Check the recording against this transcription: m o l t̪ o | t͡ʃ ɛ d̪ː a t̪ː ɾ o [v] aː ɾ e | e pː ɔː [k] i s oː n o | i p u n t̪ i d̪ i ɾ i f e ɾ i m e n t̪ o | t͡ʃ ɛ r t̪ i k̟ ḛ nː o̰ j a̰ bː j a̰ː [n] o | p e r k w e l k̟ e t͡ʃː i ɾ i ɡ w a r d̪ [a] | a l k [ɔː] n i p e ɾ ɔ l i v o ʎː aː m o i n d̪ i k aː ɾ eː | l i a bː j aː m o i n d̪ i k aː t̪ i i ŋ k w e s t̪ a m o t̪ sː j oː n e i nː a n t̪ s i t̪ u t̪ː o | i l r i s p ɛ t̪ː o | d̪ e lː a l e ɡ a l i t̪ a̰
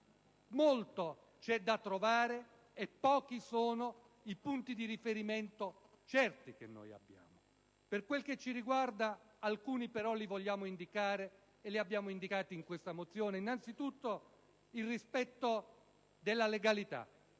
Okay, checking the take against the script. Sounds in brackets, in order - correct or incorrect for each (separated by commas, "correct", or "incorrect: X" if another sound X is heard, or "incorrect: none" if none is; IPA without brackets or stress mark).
correct, correct, incorrect: m, correct, incorrect: uː